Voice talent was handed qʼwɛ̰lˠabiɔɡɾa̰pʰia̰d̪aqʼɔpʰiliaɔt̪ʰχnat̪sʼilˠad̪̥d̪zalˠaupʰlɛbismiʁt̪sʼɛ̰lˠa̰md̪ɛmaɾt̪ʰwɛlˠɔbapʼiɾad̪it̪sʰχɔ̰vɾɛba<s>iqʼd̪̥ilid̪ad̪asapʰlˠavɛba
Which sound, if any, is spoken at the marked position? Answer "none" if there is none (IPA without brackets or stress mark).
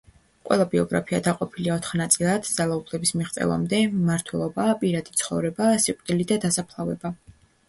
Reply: s